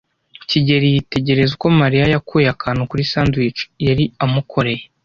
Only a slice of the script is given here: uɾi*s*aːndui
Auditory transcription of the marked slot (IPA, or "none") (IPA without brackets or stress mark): s